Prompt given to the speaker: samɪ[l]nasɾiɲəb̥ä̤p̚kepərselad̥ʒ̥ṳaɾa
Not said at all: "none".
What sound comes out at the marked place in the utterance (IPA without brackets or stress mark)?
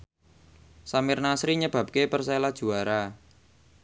r